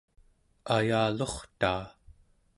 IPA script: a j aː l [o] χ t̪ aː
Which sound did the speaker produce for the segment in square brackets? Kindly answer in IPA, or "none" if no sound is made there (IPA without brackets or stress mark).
o